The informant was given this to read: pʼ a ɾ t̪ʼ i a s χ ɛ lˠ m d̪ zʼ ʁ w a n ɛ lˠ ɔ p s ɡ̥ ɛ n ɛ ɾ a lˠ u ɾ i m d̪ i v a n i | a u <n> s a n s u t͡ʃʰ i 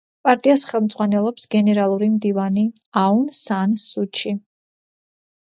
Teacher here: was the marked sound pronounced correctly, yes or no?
yes